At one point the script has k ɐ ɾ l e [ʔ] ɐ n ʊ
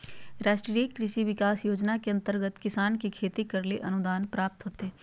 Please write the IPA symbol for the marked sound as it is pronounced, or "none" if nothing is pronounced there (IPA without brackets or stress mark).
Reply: ʔ